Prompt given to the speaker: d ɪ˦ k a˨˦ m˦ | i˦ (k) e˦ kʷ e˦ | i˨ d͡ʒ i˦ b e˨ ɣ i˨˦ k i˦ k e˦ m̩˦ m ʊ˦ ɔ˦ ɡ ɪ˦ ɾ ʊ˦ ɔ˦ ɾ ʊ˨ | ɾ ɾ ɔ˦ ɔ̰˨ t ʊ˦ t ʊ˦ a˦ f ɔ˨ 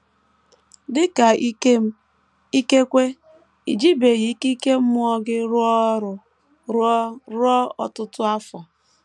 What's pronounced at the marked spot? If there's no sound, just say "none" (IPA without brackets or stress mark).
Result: k